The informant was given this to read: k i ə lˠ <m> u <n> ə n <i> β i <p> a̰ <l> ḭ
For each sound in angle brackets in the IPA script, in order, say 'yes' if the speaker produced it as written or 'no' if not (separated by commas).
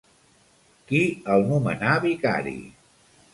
no, no, no, no, no